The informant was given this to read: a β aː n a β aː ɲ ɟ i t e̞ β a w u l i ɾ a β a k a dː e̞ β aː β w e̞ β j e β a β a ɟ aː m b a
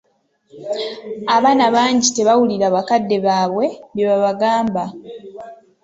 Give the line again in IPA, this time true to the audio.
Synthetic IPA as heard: a β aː n a β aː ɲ ɟ i t e̞ β a w u l i ɾ a β a k a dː e̞ β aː β w e̞ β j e β a β a ɡ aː m b a